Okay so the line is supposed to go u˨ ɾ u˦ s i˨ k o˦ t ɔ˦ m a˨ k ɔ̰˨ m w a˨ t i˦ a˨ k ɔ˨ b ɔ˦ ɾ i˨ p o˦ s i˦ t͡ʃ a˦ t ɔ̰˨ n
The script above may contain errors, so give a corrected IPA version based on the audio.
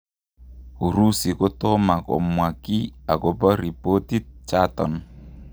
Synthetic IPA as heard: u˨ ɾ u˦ s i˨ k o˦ t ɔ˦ m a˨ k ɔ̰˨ m w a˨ k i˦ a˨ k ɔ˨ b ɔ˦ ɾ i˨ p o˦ t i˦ t͡ʃ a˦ t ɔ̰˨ n